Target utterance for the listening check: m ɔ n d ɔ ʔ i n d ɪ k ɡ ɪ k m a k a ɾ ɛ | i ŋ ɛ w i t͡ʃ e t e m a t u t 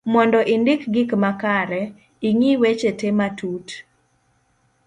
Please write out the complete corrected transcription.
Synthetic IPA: m ɔ n d ɔ ʔ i n d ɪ k ɡ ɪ k m a k a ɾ ɛ | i ŋ i w e t͡ʃ e t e m a t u t